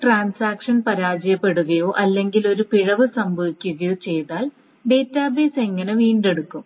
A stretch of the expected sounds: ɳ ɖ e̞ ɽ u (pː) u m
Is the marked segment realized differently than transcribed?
yes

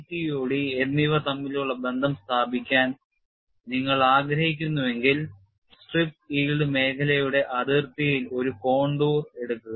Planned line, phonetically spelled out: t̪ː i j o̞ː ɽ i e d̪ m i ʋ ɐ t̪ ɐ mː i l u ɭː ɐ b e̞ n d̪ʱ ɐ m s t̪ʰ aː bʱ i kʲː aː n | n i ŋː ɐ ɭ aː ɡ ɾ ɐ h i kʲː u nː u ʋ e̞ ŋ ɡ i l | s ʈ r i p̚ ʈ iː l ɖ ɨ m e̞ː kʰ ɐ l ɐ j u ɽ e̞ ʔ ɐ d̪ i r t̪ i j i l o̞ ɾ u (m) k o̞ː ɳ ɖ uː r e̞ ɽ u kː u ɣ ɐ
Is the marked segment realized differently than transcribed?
yes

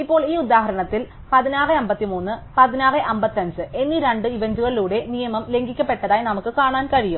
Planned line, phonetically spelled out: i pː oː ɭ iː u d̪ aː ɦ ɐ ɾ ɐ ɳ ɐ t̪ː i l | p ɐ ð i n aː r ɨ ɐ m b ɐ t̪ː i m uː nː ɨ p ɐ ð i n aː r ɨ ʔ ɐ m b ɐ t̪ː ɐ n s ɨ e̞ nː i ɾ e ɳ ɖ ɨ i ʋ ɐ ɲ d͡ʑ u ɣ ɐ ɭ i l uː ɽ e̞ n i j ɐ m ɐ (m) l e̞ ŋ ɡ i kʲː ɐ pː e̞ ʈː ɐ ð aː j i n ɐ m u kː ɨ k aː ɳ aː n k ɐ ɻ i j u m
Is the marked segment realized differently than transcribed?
no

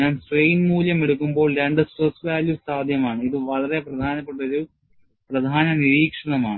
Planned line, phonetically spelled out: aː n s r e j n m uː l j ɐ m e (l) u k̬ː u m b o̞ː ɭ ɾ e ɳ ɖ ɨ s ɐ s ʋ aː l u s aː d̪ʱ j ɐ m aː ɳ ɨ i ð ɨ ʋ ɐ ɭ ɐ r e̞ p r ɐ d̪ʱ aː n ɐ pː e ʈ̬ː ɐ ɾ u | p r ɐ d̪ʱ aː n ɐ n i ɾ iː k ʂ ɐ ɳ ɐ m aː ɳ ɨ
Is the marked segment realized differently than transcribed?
yes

